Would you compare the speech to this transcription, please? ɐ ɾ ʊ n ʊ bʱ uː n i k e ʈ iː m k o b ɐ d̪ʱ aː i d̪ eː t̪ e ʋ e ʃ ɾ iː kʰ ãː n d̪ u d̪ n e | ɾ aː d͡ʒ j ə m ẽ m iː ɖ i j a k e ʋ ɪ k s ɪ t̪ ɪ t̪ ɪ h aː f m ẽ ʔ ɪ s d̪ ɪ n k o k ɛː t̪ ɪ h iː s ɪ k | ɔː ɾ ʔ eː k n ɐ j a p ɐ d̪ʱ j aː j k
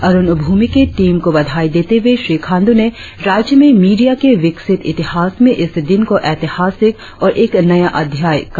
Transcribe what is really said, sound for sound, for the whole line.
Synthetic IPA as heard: ɐ ɾ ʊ n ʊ bʱ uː m i k e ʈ iː m k o b ɐ d̪ʱ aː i d̪ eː t̪ e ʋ e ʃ ɾ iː kʰ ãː n d̪ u n e | ɾ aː d͡ʒ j ə m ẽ m iː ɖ i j a k e ʋ ɪ k s ɪ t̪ ɪ t̪ ɪ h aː s m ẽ ʔ ɪ s d̪ ɪ n k o ʔ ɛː t̪ ɪ h aː s ɪ k | ɔː ɾ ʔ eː k n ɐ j a ʔ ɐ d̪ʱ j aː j k